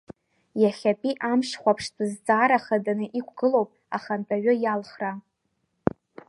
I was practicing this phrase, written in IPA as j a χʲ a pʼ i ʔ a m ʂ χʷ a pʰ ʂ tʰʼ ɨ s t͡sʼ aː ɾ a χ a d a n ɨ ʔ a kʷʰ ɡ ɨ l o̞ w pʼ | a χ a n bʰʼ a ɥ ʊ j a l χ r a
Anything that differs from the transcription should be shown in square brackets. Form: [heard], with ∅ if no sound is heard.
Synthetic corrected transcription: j a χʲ a pʼ i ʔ a m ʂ χʷ a pʰ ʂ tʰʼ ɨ [z] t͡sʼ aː ɾ a χ a d a n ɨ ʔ [i] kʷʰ ɡ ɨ l o̞ w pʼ | a χ a n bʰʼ a ɥ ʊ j a l χ r a